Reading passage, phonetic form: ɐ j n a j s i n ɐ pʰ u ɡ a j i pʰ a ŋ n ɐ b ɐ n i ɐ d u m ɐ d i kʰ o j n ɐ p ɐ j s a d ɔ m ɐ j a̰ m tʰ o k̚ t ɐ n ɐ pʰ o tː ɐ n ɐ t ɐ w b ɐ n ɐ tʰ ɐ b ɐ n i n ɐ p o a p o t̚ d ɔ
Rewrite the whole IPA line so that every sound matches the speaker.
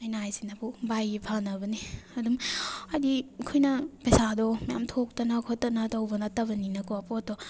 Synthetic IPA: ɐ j n a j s i n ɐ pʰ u b a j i pʰ a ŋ n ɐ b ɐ n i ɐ d u m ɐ d i kʰ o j n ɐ p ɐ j s a d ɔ m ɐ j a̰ m tʰ o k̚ t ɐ n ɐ kʰ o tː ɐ n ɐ t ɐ w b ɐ n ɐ t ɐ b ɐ n i n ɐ k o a p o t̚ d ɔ